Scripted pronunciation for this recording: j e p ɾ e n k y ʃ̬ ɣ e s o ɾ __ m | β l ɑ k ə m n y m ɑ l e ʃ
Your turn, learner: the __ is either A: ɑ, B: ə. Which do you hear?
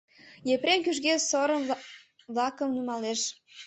B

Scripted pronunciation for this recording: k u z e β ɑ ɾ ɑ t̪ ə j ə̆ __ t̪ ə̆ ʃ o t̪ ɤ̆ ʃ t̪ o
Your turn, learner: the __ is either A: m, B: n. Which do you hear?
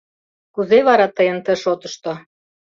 B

